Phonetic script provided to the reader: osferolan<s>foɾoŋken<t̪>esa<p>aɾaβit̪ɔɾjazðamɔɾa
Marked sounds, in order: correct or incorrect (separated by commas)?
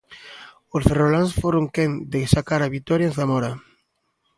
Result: correct, incorrect, incorrect